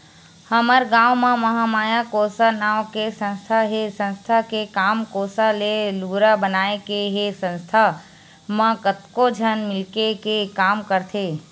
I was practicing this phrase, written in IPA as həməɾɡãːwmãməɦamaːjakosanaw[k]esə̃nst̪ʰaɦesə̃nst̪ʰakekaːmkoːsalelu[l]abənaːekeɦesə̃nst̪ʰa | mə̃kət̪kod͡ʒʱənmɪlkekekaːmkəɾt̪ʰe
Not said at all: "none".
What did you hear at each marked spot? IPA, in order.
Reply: k, ɾ

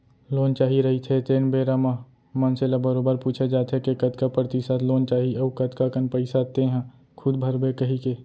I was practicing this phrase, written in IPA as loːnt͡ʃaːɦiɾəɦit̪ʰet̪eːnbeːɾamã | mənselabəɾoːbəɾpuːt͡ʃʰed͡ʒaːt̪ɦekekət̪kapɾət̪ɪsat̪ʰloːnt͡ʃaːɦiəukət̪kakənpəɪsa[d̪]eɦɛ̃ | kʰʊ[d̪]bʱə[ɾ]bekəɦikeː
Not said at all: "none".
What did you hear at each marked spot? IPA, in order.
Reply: t̪, d̪, ɾ

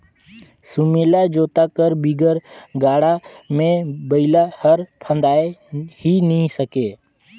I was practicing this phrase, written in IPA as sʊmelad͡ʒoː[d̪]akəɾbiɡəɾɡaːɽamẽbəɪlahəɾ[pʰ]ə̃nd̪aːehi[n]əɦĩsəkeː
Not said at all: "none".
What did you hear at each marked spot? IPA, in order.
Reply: t̪, pʰ, n

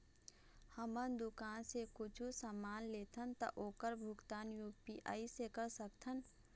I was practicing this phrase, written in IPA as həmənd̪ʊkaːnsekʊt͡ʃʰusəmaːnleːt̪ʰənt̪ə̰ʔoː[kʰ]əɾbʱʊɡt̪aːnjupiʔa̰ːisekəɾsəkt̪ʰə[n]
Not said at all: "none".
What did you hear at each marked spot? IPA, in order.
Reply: k, n

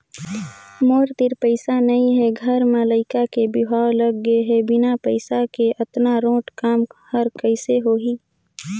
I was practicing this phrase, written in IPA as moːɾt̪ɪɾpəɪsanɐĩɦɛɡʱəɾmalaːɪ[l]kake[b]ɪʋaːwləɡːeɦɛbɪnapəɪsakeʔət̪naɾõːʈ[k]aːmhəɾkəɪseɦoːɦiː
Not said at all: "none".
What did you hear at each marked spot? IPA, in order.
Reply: none, b, k

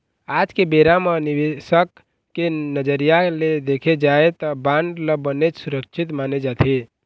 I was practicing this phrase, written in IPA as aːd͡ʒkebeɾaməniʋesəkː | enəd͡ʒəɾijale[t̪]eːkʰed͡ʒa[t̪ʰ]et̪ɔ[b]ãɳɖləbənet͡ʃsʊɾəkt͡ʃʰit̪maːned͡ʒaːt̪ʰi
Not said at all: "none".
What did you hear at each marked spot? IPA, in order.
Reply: d̪, none, b

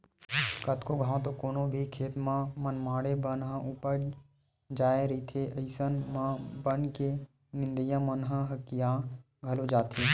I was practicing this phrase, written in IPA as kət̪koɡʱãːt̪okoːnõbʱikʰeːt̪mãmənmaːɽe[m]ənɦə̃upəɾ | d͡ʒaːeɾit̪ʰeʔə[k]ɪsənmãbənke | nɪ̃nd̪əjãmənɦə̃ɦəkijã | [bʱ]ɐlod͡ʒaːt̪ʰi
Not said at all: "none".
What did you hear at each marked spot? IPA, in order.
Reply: b, none, ɡʱ

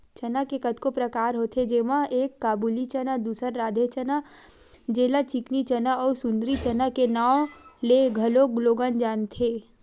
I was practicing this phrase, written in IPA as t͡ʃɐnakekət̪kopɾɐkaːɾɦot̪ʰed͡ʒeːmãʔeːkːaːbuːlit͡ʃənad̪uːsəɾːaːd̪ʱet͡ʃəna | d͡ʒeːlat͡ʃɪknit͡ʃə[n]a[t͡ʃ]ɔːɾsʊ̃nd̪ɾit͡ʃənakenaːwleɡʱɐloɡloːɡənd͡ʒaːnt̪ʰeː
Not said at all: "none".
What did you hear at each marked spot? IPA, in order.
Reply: n, none

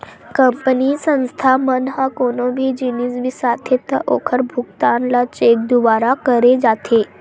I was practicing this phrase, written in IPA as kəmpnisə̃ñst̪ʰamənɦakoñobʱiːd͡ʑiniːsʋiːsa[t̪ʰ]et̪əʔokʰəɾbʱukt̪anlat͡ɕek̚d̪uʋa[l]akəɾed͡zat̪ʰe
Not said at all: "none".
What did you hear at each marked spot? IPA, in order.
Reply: t̪ʰ, ɾ

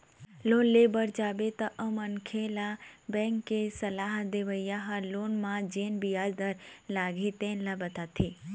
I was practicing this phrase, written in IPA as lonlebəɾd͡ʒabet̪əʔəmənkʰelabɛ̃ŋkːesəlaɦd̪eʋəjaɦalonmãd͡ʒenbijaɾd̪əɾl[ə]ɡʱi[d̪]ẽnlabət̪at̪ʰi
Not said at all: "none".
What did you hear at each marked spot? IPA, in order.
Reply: a, t̪

